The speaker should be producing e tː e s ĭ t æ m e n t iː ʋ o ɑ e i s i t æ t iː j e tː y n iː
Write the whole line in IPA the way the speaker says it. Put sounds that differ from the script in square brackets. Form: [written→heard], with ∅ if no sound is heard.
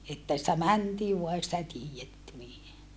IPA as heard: e tː [e→æ] s ĭ t æ m [e→æ] n t iː ʋ [o→u] ɑ e i s i t æ t iː j e tː y n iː